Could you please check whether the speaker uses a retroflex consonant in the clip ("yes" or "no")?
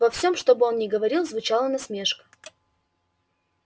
yes